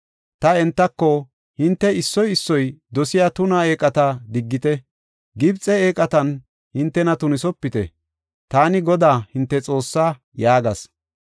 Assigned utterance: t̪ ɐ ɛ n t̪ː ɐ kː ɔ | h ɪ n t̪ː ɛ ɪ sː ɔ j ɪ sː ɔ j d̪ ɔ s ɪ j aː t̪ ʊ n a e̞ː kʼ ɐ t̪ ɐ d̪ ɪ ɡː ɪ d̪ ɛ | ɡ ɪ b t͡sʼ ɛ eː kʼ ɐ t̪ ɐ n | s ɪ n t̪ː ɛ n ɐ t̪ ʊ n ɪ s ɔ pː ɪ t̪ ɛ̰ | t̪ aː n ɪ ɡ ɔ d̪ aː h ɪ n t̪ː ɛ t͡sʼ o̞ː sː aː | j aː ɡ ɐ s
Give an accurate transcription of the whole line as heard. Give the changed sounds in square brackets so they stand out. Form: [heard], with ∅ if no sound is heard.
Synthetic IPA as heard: t̪ ɐ ɛ n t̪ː ɐ kː ɔ | h ɪ n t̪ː ɛ ɪ sː ɔ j ɪ sː ɔ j d̪ ɔ s ɪ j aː t̪ ʊ n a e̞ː kʼ ɐ t̪ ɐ d̪ ɪ ɡː ɪ [t̪] ɛ | ɡ ɪ b t͡sʼ ɛ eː kʼ ɐ t̪ ɐ n | [h] ɪ n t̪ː ɛ n ɐ t̪ ʊ n ɪ s ɔ pː ɪ t̪ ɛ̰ | t̪ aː n ɪ ɡ ɔ d̪ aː h ɪ n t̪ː ɛ t͡sʼ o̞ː sː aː | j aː ɡ ɐ s